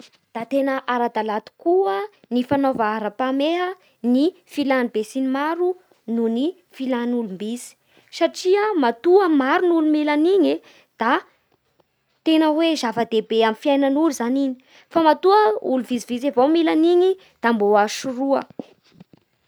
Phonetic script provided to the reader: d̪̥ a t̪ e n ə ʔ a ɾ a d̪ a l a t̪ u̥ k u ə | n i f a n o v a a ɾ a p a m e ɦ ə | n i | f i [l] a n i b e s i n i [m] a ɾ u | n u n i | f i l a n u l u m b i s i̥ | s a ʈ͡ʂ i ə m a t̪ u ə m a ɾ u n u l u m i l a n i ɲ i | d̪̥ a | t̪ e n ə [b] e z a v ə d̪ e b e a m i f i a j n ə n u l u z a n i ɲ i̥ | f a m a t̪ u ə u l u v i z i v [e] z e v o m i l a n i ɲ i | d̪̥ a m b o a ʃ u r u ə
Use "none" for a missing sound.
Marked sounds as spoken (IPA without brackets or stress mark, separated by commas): l, m, w, i